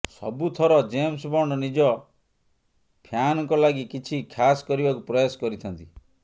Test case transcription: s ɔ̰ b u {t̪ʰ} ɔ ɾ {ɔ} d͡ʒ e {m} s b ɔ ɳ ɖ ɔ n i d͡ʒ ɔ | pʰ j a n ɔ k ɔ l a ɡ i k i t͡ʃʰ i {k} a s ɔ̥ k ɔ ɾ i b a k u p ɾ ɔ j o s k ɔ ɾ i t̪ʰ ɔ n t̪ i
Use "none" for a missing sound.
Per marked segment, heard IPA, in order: t̪ʰ, ɔ, m, kʰ

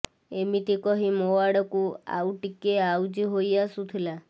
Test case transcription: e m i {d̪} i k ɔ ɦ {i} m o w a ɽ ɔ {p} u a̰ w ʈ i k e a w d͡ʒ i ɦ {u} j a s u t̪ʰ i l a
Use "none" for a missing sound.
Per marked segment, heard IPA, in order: t̪, i, k, o

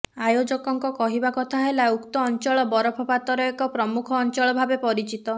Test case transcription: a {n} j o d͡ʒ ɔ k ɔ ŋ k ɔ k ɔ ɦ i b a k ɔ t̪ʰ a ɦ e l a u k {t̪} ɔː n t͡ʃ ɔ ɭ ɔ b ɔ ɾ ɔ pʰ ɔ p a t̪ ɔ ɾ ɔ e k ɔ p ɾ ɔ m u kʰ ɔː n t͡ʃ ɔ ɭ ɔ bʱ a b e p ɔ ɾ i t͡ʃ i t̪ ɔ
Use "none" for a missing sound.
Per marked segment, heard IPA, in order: none, t̪

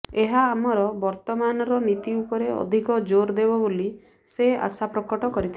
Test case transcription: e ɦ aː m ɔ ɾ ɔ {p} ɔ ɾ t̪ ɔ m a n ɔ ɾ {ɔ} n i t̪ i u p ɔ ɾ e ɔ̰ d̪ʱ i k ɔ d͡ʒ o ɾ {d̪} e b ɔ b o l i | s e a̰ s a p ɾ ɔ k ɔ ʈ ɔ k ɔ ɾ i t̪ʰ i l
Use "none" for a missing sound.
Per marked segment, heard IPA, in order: b, ɔ, d̪

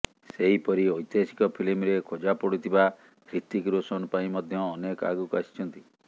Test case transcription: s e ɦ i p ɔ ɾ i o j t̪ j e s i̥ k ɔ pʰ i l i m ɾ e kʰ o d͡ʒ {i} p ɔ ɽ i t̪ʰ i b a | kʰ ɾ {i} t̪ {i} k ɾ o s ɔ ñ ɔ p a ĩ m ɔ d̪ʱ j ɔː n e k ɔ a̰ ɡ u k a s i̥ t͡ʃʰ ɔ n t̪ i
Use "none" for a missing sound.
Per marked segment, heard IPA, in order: a, i, i

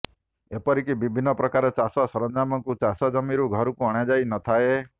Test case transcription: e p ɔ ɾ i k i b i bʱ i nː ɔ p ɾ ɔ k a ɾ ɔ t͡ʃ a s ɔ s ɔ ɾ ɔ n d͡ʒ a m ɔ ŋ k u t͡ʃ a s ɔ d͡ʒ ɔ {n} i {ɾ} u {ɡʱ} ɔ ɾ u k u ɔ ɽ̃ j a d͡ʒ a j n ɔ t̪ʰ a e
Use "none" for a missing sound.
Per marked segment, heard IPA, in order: m, ɾ, ɡʱ

